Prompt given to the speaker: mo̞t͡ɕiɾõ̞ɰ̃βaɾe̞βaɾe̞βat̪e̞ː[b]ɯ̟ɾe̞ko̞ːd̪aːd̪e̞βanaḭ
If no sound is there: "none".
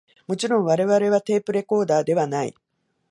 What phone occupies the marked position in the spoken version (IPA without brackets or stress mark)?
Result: p